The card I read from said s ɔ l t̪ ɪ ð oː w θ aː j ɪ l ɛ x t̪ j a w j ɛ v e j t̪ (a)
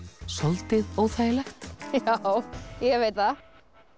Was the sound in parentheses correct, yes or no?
yes